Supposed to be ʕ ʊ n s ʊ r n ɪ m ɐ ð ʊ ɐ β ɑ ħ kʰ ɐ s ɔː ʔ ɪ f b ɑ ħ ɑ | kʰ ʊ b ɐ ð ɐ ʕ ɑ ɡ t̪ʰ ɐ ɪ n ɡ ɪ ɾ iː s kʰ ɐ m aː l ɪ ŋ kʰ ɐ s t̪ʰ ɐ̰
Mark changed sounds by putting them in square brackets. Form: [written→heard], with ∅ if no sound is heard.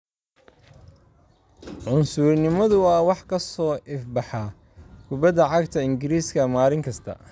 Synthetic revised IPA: ʕ ʊ n s ʊ r n ɪ m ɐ ð ʊ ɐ [β→w] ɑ ħ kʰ ɐ s ɔː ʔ ɪ f b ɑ ħ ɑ | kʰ ʊ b ɐ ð ɐ ʕ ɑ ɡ t̪ʰ ɐ ɪ [n→ŋ] ɡ ɪ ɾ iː s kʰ ɐ m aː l ɪ ŋ kʰ ɐ s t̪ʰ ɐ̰

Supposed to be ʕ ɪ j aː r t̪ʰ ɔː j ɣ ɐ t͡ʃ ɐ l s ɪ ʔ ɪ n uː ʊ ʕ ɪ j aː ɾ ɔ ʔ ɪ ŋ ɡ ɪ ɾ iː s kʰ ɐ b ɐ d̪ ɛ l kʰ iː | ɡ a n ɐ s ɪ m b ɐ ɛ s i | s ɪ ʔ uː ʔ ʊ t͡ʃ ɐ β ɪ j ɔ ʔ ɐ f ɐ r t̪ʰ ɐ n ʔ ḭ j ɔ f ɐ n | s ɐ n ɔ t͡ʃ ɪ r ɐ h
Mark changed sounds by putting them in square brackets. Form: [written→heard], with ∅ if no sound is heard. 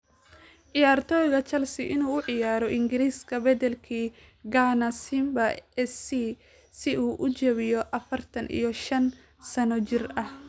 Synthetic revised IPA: ʕ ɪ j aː r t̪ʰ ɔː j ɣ ɐ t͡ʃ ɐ l s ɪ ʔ ɪ n uː ʊ ʕ ɪ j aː ɾ ɔ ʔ ɪ ŋ ɡ ɪ ɾ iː s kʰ ɐ b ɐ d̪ ɛ l kʰ iː | ɡ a n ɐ s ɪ m b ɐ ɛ s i | s ɪ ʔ uː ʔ ʊ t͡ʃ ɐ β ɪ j ɔ ʔ ɐ f ɐ r t̪ʰ ɐ n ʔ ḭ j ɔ [f→ʃ] ɐ n | s ɐ n ɔ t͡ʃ ɪ r ɐ h

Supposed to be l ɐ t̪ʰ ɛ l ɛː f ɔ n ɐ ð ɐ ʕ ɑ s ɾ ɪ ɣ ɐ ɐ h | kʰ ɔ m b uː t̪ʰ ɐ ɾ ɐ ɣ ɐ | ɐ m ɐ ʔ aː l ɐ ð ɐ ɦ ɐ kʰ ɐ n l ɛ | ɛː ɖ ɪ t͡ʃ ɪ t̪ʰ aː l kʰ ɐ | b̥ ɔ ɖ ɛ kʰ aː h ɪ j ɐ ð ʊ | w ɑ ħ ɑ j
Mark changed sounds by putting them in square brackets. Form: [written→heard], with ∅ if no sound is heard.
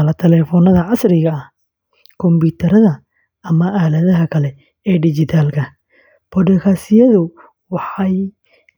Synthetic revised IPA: l ɐ t̪ʰ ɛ l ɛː f ɔ n ɐ ð ɐ ʕ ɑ s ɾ ɪ ɣ ɐ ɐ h | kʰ ɔ m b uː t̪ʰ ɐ ɾ ɐ [ɣ→ð] ɐ | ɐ m ɐ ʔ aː l ɐ ð ɐ ɦ ɐ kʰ ɐ [n→∅] l ɛ | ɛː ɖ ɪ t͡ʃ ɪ t̪ʰ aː l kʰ ɐ | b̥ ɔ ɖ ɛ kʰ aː [h→s] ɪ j ɐ ð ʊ | w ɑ ħ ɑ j

